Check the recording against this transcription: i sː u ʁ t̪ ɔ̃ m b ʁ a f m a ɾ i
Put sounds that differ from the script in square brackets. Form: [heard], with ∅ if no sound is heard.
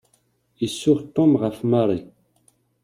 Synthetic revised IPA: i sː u ʁ t̪ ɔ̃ m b ʁ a f m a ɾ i